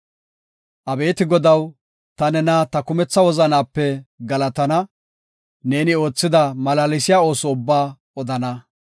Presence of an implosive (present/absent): absent